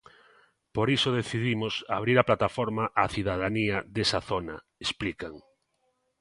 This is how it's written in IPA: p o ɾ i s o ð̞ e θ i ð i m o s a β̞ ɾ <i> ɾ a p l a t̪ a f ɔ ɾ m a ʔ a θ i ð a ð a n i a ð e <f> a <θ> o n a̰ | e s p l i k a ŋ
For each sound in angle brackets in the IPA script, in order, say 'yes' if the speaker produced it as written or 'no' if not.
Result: yes, no, yes

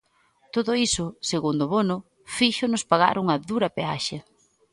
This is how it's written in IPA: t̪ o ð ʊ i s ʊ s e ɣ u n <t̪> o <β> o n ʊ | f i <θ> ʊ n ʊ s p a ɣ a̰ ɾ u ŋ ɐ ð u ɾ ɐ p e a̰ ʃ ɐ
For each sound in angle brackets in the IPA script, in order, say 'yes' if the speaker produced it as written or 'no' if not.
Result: no, yes, no

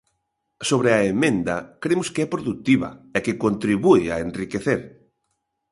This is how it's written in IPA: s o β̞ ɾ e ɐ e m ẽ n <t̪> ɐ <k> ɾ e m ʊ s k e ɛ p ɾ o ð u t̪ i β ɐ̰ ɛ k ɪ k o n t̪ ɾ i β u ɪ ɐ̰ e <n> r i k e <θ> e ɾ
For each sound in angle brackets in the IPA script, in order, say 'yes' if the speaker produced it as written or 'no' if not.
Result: no, yes, yes, yes

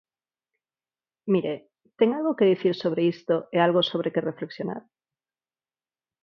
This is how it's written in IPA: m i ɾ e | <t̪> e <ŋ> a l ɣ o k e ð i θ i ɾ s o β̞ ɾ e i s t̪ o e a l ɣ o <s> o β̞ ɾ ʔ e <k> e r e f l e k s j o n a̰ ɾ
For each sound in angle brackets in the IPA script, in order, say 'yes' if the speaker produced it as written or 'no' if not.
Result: yes, yes, yes, yes

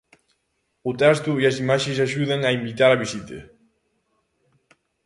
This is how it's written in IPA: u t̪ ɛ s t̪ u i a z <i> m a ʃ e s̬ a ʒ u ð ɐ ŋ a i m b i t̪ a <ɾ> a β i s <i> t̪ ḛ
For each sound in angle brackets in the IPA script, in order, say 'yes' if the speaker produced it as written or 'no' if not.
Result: yes, yes, yes

